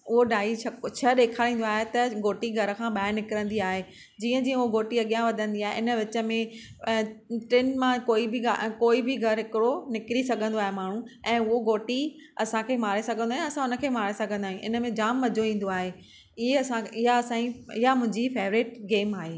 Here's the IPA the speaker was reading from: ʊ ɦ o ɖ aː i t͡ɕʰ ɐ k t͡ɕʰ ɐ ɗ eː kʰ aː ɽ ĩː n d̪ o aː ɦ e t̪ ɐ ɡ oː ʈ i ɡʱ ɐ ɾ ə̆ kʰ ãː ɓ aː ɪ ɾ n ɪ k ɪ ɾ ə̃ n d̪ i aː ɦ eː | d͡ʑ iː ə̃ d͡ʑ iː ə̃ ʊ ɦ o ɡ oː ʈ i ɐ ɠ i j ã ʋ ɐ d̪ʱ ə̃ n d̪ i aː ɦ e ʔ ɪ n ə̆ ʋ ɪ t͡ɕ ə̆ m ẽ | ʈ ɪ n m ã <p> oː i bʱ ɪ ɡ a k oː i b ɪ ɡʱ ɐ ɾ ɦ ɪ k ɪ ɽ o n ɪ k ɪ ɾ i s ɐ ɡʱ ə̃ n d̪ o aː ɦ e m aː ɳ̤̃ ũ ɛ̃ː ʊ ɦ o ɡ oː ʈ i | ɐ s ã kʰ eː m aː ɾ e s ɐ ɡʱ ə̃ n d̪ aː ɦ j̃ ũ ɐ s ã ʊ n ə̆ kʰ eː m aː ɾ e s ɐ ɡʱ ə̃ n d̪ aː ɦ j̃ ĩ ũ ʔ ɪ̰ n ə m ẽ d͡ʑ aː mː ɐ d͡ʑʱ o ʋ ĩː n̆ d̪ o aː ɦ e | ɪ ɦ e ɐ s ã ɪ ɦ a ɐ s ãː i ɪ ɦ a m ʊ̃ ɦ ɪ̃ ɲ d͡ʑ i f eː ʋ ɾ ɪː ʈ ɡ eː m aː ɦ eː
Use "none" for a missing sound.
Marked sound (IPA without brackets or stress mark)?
k